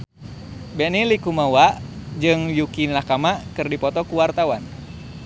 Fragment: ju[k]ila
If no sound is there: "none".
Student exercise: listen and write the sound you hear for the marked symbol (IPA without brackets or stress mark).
k